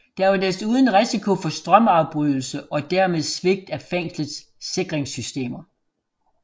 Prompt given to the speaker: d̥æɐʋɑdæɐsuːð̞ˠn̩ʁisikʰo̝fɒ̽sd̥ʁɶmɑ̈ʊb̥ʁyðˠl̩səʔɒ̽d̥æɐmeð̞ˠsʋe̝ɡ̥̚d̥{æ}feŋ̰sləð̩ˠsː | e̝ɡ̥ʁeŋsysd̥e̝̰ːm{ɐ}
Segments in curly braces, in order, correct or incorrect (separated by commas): correct, correct